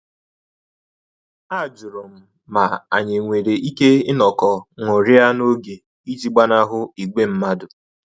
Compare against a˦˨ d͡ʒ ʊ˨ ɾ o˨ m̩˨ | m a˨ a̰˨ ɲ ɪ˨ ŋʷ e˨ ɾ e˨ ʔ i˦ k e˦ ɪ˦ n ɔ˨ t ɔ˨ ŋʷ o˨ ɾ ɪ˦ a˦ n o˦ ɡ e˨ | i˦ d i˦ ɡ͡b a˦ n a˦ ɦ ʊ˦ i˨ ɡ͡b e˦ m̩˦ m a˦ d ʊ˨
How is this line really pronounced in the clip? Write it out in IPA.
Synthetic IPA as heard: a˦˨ d͡ʒ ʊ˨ ɾ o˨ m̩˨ | m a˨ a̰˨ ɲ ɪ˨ ŋʷ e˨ ɾ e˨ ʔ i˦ k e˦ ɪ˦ n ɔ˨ k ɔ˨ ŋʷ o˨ ɾ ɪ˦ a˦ n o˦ ɡ e˨ | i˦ d͡ʒ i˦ ɡ͡b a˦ n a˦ ɦ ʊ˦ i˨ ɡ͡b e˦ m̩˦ m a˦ d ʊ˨